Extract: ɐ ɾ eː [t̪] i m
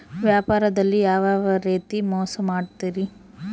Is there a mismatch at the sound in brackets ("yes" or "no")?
no